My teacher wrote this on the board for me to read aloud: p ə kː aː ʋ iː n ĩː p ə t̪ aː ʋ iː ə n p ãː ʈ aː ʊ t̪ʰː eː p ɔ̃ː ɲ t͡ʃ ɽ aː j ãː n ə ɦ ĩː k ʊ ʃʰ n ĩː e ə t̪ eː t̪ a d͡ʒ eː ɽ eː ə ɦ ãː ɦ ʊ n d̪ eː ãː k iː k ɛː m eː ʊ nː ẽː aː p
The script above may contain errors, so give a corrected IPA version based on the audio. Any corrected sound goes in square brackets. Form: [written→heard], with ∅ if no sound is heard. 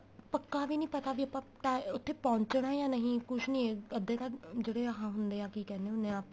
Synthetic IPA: p ə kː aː ʋ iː n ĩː p ə t̪ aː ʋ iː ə [n→∅] p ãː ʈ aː ʊ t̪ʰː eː p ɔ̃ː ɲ t͡ʃ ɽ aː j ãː n ə ɦ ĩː k ʊ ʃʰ n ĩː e ə [t̪→d̪] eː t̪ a d͡ʒ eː ɽ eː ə ɦ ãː ɦ ʊ n d̪ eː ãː k iː k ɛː [m→n] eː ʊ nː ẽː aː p

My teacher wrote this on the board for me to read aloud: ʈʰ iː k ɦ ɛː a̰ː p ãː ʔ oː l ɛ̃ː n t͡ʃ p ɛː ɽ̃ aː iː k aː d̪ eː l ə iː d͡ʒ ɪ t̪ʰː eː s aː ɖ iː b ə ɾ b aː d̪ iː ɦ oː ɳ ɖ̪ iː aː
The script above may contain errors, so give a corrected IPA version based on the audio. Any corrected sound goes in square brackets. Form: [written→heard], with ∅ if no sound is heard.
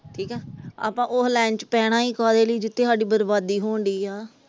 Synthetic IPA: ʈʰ iː k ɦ ɛː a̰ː p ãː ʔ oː l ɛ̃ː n t͡ʃ p ɛː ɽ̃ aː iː k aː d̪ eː l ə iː d͡ʒ ɪ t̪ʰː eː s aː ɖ iː b ə ɾ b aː d̪ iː ɦ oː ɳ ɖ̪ iː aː

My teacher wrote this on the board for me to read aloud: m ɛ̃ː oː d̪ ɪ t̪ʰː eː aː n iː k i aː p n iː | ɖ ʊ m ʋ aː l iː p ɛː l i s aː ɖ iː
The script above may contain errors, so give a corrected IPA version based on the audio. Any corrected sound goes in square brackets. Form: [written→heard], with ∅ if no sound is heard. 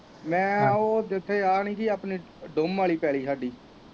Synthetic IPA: m ɛ̃ː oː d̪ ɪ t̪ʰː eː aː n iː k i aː p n iː | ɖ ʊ m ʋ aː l iː p ɛː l [i→iː] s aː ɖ iː

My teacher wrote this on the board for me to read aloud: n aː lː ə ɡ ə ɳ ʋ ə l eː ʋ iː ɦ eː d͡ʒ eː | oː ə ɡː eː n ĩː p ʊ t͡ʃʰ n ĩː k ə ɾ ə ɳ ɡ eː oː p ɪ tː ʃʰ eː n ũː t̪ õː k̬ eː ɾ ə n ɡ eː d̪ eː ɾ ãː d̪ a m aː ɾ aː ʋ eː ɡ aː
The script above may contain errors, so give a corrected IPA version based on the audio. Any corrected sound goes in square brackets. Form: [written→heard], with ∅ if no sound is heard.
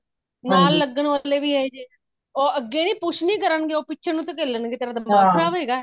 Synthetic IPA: n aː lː ə ɡ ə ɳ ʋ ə l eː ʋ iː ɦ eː d͡ʒ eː | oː ə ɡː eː n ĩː p ʊ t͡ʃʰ n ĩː k ə ɾ ə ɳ ɡ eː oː p ɪ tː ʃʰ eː n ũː t̪ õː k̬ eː [ɾ→l] ə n ɡ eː [d̪→t̪] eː ɾ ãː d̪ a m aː ɾ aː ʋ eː ɡ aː

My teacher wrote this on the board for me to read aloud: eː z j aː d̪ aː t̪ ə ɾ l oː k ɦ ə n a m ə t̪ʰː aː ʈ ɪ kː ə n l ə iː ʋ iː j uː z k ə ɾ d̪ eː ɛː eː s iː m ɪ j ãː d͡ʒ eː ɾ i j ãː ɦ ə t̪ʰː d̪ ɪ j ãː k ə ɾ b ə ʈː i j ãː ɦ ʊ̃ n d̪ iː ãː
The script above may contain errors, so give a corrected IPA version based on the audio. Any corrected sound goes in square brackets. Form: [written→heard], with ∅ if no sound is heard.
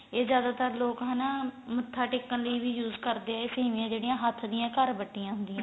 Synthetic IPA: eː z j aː d̪ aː t̪ ə ɾ l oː k ɦ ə n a m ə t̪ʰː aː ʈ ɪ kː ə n l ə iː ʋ iː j uː z k ə ɾ d̪ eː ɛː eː s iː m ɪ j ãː d͡ʒ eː [ɾ→ɽ] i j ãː ɦ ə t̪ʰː d̪ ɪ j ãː k ə ɾ b ə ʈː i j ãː ɦ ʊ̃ n d̪ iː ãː

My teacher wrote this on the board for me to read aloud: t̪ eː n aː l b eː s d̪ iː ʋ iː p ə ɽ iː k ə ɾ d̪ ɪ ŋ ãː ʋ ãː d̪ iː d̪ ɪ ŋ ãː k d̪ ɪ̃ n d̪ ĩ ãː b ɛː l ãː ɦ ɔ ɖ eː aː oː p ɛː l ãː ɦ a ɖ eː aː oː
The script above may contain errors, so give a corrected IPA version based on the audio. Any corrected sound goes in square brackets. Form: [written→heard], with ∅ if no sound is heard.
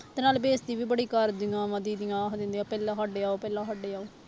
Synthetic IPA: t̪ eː n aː l b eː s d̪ iː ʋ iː [p→b] ə ɽ iː k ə ɾ d̪ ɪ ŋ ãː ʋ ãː d̪ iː d̪ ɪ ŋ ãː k d̪ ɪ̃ n d̪ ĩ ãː [b→p] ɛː l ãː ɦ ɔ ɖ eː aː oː p ɛː l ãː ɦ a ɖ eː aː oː

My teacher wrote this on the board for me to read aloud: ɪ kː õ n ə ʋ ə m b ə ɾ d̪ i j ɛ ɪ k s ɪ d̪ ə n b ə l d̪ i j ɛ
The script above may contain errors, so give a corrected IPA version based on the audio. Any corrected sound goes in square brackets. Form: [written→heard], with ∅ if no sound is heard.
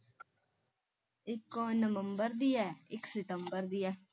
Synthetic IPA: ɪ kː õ n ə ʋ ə m b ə ɾ d̪ i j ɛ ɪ k s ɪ [d̪→t̪] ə [n→m] b ə [l→ɾ] d̪ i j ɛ

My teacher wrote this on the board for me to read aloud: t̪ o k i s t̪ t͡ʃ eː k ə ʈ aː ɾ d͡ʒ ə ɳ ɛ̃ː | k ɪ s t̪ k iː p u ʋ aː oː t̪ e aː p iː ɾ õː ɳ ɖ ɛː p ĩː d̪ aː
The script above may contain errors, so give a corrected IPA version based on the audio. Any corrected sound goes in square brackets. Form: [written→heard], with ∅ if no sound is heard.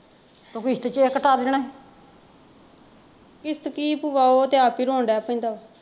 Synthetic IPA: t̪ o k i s t̪ t͡ʃ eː k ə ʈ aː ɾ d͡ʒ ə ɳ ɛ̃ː | k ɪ s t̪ k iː p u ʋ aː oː t̪ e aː p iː ɾ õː ɳ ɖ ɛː p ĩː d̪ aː

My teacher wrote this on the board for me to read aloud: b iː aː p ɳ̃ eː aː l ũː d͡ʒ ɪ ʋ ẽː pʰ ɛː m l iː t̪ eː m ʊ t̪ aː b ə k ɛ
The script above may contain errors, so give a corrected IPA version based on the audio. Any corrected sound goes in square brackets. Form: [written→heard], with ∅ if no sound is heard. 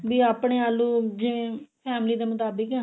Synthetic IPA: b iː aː p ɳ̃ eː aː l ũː d͡ʒ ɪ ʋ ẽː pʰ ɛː m l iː [t̪→d̪] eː m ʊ t̪ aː b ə k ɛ

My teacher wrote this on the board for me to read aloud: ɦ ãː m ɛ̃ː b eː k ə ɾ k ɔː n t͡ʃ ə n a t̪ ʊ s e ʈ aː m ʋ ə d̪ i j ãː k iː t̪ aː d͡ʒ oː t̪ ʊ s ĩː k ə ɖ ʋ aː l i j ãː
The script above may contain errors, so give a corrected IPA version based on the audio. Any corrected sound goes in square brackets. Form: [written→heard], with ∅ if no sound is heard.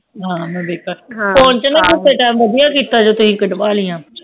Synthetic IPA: ɦ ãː m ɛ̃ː b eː k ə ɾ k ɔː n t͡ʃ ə n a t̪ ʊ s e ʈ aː m ʋ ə d̪ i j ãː k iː t̪ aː d͡ʒ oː t̪ ʊ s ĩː k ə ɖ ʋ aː l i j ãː

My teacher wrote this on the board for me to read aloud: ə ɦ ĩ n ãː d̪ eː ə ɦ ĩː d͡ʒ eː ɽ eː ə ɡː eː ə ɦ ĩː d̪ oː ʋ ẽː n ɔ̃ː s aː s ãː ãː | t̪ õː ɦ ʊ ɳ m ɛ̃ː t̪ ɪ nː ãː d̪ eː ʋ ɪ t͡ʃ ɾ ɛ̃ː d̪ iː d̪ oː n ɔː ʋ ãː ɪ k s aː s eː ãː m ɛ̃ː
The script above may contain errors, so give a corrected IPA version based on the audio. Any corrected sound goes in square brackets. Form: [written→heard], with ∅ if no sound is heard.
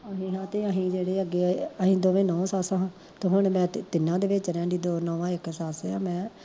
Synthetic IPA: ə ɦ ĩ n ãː [d̪→t̪] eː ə ɦ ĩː d͡ʒ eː ɽ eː ə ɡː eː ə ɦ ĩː d̪ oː ʋ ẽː n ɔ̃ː s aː s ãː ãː | t̪ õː ɦ ʊ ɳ m ɛ̃ː t̪ ɪ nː ãː d̪ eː ʋ ɪ t͡ʃ ɾ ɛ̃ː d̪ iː d̪ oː n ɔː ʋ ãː ɪ k s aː s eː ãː m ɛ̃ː

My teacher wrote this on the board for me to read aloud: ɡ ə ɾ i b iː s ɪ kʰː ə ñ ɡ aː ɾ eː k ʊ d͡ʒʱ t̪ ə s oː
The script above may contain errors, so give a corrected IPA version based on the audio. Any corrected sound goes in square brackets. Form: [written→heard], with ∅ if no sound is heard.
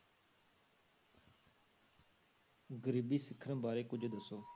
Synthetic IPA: ɡ ə ɾ [i→iː] b iː s ɪ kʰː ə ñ [ɡ→b] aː ɾ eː k ʊ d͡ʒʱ [t̪→d̪] ə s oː

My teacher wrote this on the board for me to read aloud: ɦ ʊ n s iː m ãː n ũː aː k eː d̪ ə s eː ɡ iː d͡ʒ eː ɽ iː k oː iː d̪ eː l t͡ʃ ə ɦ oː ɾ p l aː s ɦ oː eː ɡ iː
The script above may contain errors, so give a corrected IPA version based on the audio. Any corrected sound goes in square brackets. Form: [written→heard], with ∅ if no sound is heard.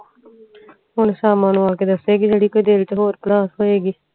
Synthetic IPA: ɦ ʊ n s [iː→aː] m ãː n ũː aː k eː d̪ ə s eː ɡ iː d͡ʒ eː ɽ iː k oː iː d̪ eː l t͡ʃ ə ɦ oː ɾ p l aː s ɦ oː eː ɡ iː

